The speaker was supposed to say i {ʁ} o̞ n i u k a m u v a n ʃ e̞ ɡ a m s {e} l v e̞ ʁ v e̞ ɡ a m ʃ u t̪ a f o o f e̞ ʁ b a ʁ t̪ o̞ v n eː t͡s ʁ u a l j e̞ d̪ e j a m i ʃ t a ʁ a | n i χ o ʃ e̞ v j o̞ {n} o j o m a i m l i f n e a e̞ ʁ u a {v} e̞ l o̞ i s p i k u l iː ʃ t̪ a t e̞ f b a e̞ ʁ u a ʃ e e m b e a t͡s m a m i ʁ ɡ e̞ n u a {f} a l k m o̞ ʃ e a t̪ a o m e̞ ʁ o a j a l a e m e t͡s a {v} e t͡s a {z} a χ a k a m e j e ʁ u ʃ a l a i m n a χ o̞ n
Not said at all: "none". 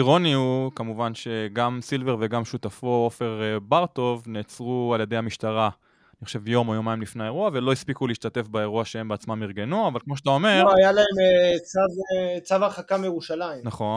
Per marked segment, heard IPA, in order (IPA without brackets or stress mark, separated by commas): ʁ, i, m, v, v, v, v